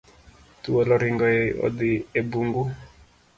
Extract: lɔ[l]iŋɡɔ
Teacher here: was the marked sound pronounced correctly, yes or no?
no